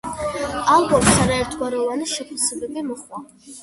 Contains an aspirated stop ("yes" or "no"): yes